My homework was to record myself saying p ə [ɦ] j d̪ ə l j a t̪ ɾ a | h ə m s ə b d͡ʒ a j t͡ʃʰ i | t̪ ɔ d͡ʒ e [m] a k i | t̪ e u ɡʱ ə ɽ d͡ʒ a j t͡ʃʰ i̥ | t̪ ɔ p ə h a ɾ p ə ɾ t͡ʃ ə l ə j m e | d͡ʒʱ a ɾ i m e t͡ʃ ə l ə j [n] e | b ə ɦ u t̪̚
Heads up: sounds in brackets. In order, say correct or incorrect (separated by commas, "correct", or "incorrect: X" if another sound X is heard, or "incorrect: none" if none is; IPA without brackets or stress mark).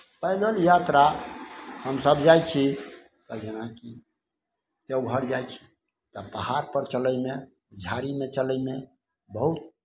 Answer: incorrect: none, incorrect: n, incorrect: m